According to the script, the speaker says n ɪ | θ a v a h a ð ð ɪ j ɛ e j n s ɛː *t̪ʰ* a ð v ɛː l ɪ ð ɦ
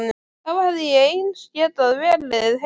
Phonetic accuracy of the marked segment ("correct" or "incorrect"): incorrect